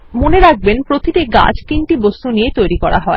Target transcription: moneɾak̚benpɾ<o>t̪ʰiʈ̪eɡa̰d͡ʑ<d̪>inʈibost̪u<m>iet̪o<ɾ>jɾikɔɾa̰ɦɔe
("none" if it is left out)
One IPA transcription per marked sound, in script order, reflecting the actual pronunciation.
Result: o, t̪, n, none

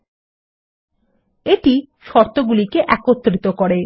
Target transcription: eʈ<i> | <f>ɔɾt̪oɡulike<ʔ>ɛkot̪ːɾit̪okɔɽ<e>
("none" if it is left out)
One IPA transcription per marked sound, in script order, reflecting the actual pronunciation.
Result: i, ʃ, ʔ, e

